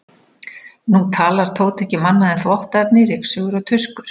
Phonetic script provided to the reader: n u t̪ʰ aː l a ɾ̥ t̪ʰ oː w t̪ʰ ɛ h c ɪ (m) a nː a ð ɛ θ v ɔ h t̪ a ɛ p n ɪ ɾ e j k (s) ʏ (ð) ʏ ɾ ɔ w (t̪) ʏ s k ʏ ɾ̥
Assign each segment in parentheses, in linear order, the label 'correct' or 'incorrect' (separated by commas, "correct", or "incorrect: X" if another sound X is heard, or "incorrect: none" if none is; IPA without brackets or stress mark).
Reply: correct, correct, incorrect: ɣ, incorrect: t̪ʰ